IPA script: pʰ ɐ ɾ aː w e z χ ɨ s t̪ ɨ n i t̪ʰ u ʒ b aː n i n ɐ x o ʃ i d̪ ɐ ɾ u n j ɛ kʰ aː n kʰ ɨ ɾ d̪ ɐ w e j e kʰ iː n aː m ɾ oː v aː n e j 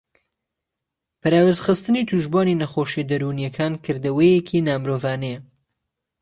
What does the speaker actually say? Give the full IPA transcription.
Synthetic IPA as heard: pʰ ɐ ɾ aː w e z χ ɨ s t̪ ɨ n i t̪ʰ u ʒ b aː n i n ɐ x o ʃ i d̪ ɐ ɾ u n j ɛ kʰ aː n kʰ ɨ ɾ d̪ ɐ w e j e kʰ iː n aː m ɾ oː v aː n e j